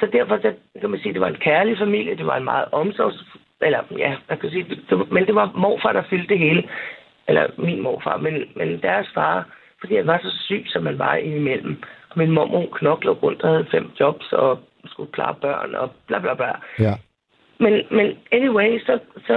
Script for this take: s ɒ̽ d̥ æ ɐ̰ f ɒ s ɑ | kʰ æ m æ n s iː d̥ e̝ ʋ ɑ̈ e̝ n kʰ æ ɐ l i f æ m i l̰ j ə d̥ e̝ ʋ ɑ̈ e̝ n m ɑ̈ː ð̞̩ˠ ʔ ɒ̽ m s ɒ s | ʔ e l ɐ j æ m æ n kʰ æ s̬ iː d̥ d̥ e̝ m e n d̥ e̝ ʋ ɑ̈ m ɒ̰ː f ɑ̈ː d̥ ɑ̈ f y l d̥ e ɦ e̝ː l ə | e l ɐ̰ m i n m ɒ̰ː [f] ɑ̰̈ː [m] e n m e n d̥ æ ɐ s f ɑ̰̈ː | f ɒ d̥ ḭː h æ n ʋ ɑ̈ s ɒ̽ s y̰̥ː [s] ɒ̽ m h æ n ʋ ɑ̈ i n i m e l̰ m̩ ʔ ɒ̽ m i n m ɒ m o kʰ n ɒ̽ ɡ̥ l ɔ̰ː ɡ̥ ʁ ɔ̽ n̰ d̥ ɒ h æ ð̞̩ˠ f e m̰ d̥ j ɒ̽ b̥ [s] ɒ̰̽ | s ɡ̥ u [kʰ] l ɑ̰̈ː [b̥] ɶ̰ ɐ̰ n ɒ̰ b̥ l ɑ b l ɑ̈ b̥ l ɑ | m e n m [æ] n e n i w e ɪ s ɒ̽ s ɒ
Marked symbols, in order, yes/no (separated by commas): yes, yes, yes, yes, yes, yes, no